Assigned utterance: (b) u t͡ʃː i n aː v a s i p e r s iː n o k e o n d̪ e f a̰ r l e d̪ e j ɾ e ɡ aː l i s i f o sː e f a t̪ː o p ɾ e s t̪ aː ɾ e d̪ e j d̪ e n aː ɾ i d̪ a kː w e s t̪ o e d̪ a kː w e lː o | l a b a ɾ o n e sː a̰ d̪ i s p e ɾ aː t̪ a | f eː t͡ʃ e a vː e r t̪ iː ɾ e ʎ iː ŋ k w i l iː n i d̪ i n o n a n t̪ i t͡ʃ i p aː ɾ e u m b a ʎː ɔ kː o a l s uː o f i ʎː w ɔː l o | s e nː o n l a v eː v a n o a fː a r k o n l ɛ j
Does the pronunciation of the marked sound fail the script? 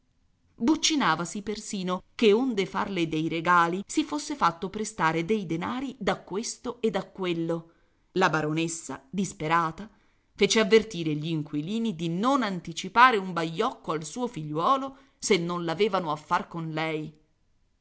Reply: no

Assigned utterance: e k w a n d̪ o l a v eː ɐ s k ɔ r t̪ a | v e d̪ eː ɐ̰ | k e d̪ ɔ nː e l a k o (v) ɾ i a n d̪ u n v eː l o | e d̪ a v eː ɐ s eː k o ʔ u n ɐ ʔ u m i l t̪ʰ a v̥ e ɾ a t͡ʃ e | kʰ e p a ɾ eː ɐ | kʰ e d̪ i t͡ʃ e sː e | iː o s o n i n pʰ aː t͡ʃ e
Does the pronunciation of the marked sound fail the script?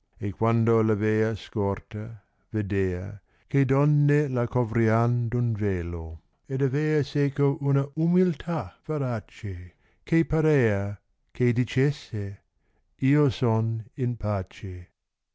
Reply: no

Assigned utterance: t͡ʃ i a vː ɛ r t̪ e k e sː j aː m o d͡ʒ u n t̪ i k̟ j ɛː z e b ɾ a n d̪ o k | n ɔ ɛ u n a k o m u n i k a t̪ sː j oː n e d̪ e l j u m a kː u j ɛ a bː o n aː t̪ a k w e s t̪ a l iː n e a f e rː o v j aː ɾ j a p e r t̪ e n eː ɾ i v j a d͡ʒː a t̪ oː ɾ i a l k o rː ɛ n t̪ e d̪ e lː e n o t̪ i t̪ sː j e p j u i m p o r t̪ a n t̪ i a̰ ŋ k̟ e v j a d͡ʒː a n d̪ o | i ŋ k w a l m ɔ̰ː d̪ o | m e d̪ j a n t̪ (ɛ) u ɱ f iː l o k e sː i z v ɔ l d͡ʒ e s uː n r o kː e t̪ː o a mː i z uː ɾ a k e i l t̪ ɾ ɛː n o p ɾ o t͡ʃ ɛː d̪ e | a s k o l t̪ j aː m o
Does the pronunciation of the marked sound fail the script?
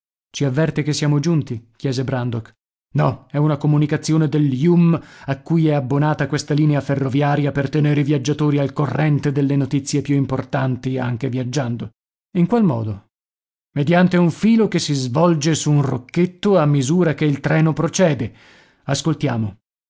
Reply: yes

